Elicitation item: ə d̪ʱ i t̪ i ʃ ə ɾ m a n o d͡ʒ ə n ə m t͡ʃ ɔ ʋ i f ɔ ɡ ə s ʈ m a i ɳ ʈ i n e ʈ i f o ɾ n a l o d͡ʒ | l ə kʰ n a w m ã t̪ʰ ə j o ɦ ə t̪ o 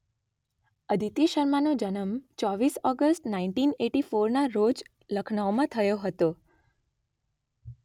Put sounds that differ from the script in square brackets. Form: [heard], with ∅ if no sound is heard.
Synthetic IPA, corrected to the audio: ə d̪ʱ i t̪ i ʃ ə ɾ m a n o d͡ʒ ə n ə m t͡ʃ ɔ ʋ i [s] ɔ ɡ ə s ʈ [n] a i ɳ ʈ i n e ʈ i f o ɾ n a [ɾ] o d͡ʒ | l ə kʰ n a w m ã t̪ʰ ə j o ɦ ə t̪ o